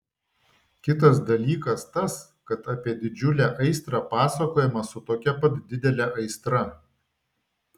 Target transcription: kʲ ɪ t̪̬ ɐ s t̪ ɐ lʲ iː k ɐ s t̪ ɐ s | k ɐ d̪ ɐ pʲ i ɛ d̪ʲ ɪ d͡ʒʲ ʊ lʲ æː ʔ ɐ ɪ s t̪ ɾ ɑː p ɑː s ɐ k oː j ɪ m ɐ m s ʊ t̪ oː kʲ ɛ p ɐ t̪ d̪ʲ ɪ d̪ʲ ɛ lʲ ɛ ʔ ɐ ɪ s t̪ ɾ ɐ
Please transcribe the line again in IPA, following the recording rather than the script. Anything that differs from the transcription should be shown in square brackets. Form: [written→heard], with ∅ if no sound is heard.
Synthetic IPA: kʲ ɪ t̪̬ ɐ s [t̪→d̪] ɐ lʲ iː k ɐ s t̪ ɐ s | k ɐ [d̪→t̪] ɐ pʲ i ɛ d̪ʲ ɪ d͡ʒʲ ʊ lʲ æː ʔ ɐ ɪ s t̪ ɾ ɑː p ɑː s ɐ k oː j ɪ m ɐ [m→∅] s ʊ t̪ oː kʲ ɛ p ɐ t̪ d̪ʲ ɪ d̪ʲ ɛ lʲ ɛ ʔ ɐ ɪ s t̪ ɾ ɐ